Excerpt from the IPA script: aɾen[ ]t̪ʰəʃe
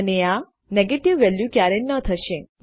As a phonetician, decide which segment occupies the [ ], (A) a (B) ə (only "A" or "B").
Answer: B